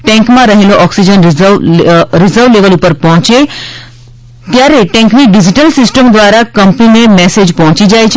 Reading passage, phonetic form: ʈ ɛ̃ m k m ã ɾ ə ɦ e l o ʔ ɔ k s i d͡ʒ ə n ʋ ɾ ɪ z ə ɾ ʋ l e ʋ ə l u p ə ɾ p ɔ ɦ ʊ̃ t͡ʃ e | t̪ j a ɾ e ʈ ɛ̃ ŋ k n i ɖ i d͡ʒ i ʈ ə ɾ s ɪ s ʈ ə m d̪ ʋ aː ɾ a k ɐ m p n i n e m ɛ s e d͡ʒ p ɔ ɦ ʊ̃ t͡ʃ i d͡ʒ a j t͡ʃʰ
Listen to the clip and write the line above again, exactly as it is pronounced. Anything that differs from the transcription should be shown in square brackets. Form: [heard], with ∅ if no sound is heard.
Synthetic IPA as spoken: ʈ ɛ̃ [ŋ] k m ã ɾ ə ɦ e l o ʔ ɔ k s i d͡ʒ ə n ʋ ɾ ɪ z ə ɾ ʋ l e ʋ ə l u p ə ɾ p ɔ ɦ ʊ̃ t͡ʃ e | t̪ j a ɾ e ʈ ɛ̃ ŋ k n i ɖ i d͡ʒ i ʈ ə [l] s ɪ s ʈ ə m d̪ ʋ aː ɾ a k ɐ m p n i n e m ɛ s e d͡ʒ p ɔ ɦ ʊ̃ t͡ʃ i d͡ʒ a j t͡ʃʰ